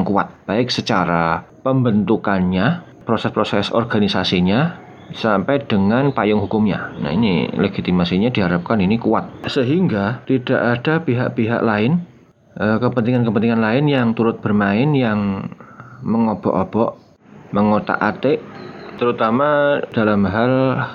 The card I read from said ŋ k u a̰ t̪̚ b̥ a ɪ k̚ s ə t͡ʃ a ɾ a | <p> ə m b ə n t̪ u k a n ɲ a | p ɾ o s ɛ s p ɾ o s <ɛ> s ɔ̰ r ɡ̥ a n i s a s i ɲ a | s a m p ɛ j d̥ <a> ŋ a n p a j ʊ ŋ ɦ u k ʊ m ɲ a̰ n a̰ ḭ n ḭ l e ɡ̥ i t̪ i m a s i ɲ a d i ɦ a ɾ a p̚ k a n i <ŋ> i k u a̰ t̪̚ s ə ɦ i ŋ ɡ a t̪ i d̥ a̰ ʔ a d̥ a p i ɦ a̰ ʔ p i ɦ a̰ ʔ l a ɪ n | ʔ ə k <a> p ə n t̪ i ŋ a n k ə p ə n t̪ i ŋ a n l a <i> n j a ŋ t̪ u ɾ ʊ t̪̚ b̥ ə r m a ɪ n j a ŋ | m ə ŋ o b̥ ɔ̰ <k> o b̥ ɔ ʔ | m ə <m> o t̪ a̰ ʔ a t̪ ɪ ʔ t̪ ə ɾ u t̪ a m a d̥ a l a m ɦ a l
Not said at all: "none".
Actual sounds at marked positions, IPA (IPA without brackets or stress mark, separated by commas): p, ɛ, ə, n, ə, ɪ, ʔ, ŋ